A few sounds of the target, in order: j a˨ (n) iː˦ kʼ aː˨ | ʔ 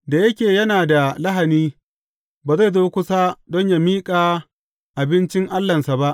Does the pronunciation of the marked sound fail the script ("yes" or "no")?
yes